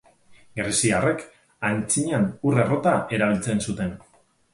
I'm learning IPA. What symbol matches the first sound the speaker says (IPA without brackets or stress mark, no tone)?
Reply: ɡ